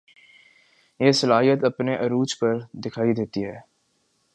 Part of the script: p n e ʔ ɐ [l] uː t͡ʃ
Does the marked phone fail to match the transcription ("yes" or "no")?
yes